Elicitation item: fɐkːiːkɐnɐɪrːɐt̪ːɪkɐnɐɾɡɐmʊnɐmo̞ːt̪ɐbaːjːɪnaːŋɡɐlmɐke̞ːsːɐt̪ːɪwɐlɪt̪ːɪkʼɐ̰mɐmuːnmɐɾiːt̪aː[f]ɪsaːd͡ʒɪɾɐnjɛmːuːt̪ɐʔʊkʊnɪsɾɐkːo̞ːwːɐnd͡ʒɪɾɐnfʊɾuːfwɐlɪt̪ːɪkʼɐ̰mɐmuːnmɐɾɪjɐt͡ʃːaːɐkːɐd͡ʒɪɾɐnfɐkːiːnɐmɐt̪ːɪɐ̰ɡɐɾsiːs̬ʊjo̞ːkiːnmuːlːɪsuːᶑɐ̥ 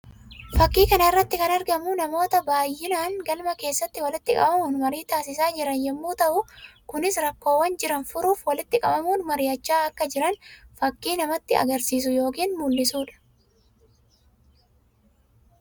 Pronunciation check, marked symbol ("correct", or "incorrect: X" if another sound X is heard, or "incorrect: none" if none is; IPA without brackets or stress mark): incorrect: s